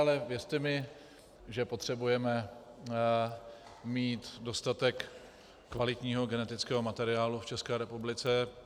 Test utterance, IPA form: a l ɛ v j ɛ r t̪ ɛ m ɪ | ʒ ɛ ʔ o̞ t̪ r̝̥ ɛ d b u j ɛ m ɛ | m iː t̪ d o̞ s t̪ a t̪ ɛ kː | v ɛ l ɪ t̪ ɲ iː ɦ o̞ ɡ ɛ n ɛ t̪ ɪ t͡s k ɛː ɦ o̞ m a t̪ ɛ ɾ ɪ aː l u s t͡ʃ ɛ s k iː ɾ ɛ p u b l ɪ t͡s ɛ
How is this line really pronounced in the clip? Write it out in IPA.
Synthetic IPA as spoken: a l ɛ v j ɛ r t̪ ɛ m ɪ | ʒ ɛ p o̞ t̪ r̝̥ ɛ b u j ɛ m ɛ | m iː t̪ d o̞ s t̪ a t̪ ɛ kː | v a l ɪ t̪ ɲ iː ɦ o̞ ɡ ɛ n ɛ t̪ ɪ t͡s k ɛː ɦ o̞ m a t̪ ɛ ɾ ɪ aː l u f t͡ʃ ɛ s k ɛː ɾ ɛ p u b l ɪ t͡s ɛ